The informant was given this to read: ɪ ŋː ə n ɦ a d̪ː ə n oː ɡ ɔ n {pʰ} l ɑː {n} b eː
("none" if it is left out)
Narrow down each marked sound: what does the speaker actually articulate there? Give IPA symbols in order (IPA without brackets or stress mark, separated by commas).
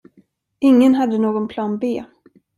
pʰ, n